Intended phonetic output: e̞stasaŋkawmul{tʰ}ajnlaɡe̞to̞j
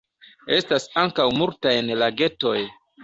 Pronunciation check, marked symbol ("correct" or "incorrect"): incorrect